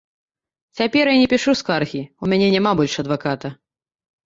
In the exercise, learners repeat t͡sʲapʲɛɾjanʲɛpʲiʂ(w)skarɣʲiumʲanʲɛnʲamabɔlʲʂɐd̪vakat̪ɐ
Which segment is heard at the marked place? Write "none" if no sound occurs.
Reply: u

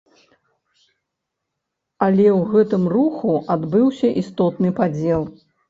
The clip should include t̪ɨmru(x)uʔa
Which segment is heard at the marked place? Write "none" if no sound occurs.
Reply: x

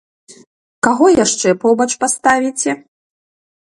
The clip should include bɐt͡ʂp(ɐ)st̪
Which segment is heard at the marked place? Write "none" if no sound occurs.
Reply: a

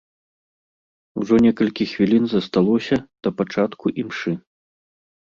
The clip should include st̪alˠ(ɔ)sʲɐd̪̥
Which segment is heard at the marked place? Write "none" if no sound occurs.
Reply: ɔ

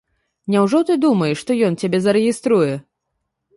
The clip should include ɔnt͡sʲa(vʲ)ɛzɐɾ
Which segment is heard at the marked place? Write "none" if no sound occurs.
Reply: bʲ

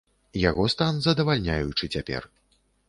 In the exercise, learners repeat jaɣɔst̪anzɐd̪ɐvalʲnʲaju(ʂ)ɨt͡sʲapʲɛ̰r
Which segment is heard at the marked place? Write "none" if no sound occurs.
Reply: t͡ʂ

